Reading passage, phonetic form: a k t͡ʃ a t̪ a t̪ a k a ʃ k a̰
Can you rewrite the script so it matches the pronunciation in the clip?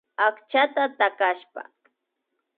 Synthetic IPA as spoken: a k t͡ʃ a t̪ a t̪ a k a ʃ p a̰